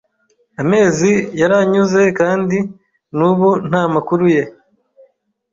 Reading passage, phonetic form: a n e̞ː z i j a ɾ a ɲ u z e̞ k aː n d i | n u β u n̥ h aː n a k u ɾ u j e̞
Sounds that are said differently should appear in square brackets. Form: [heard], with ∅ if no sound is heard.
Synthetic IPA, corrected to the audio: a [m] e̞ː z i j a ɾ a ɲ u z e̞ k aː n d i | n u β u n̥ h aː [m] a k u ɾ u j e̞